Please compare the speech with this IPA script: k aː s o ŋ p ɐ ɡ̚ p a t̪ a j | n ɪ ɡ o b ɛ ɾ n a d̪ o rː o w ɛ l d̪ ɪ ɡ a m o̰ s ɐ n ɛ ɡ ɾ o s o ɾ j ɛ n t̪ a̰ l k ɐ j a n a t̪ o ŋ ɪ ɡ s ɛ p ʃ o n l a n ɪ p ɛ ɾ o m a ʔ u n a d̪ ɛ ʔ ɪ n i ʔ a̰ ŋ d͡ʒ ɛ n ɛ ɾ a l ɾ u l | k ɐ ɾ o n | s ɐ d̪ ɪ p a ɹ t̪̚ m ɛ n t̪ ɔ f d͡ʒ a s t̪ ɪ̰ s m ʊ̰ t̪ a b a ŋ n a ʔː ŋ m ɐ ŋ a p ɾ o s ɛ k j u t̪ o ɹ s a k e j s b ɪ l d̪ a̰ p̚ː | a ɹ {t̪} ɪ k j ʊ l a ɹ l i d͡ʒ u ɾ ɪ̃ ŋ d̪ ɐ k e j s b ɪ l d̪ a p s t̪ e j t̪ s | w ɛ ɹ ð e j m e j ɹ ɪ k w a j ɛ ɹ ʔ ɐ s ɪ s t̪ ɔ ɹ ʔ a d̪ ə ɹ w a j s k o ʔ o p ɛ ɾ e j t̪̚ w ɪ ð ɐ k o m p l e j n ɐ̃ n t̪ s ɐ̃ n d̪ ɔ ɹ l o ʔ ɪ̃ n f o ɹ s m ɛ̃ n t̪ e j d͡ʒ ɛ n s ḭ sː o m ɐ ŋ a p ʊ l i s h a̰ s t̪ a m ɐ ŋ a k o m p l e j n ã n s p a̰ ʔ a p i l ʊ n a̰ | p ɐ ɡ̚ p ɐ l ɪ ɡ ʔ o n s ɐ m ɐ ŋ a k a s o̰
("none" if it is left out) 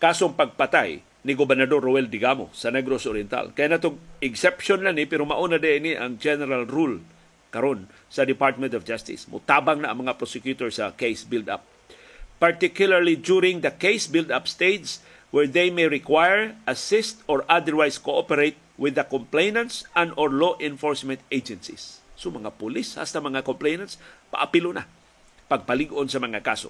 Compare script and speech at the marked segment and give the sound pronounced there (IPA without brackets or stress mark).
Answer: t̪